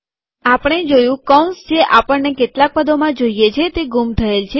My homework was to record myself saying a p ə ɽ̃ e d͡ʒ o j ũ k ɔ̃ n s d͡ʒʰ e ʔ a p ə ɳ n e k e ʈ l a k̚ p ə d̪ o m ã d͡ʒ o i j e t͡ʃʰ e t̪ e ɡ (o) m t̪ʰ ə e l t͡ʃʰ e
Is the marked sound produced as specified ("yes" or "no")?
no